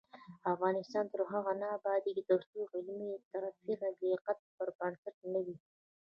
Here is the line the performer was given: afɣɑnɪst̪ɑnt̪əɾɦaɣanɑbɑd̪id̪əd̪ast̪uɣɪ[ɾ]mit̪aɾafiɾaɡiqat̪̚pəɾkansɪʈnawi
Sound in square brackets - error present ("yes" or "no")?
yes